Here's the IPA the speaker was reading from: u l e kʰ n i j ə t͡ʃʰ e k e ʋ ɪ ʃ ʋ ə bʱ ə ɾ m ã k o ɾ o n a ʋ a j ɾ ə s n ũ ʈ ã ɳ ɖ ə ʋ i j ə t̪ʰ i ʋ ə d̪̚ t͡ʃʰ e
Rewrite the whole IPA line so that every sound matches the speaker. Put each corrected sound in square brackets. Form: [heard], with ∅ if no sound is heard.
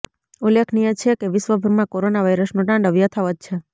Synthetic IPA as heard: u l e kʰ n i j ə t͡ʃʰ e k e ʋ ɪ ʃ ʋ ə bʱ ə ɾ m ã k o ɾ o n a ʋ a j ɾ ə s n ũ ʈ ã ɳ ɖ ə ʋ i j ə t̪ʰ [a] ʋ ə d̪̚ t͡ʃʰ e